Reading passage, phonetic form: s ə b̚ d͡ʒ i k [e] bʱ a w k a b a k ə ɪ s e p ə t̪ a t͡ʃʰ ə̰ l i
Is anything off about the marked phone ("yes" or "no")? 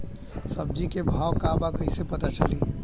no